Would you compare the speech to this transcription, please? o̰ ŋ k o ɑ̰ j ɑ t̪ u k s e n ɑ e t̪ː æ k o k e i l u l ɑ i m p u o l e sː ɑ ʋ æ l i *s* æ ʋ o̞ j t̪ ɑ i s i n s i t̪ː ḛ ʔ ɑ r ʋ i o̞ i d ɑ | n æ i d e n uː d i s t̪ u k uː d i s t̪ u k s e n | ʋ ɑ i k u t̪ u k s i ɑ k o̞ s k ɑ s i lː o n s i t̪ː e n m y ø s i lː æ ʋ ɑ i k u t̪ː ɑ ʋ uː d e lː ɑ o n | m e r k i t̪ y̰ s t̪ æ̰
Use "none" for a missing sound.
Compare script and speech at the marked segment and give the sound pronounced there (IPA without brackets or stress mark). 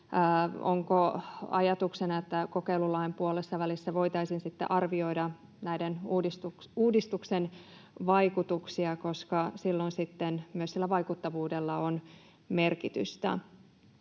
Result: sː